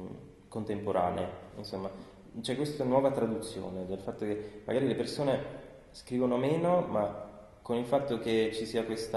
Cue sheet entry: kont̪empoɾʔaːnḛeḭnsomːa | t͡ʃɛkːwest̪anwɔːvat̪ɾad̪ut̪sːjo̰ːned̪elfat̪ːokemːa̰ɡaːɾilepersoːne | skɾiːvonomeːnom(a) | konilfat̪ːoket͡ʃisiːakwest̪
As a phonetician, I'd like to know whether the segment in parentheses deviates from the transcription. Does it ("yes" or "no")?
no